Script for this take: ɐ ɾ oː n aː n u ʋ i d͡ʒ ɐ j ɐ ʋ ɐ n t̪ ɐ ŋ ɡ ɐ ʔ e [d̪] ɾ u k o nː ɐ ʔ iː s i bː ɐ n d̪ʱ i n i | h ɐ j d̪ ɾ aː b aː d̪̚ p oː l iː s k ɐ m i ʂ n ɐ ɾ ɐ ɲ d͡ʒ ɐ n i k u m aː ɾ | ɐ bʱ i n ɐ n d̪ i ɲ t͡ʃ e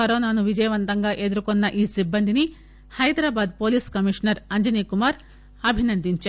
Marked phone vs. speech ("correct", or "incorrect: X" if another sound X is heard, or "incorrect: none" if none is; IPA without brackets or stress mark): correct